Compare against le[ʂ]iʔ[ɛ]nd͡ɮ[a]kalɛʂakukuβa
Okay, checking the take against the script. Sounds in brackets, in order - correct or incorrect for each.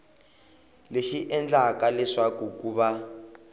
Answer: incorrect: ʃ, correct, correct

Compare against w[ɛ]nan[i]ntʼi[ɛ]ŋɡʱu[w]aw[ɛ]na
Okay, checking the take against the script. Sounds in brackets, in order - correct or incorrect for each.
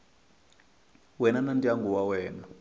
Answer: correct, incorrect: a, incorrect: a, correct, incorrect: ɛː

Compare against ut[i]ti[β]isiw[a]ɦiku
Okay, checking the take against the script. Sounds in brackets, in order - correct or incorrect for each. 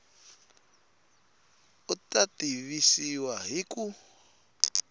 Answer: incorrect: a, correct, correct

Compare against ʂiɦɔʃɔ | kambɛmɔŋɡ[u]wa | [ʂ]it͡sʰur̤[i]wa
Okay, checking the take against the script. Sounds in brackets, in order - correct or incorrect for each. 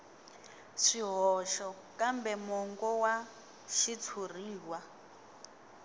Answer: incorrect: ɔ, incorrect: ʃ, incorrect: iː

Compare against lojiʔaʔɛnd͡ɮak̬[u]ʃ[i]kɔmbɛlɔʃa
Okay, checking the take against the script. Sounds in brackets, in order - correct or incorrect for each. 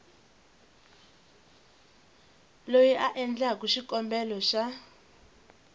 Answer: correct, correct

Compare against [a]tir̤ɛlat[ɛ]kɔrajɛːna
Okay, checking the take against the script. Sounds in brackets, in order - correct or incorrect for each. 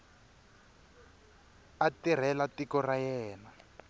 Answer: correct, incorrect: i

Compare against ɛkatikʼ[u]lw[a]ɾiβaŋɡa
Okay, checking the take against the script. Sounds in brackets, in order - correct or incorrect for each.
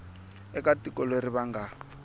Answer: incorrect: ɔ, incorrect: e

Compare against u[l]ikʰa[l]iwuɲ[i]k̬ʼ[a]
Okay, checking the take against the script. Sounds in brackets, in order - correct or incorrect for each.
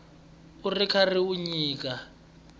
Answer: incorrect: r, incorrect: r, incorrect: iː, correct

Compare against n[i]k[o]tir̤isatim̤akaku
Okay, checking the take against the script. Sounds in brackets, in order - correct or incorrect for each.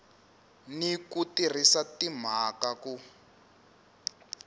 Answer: correct, incorrect: u

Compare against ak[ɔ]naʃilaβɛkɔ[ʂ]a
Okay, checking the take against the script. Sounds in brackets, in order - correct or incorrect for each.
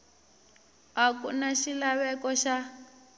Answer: incorrect: u, incorrect: ʃ

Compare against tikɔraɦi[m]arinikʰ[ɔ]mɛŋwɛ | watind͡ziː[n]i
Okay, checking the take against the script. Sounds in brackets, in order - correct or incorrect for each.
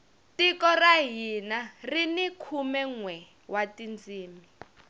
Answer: incorrect: n, incorrect: u, incorrect: m

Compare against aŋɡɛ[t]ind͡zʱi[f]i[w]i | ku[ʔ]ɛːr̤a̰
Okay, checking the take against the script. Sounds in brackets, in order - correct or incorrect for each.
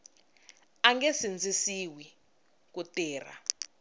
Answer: incorrect: s, incorrect: s, correct, incorrect: t

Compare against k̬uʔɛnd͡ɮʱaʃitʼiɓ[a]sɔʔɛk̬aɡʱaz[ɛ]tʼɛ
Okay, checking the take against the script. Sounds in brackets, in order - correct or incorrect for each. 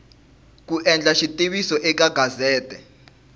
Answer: incorrect: i, incorrect: ɛː

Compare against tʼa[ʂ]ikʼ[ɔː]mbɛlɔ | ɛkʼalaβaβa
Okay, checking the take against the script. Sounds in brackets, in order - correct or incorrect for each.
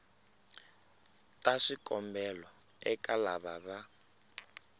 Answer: correct, incorrect: ɔ

